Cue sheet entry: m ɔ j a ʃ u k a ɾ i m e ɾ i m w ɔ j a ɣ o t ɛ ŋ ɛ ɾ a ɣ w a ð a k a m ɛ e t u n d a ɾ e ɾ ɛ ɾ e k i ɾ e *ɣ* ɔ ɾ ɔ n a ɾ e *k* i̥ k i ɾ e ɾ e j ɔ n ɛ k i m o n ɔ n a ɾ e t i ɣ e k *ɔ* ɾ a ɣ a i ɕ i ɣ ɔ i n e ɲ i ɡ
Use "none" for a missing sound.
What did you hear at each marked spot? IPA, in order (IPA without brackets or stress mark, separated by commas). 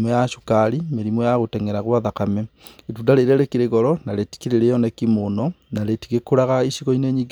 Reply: ɣ, t, o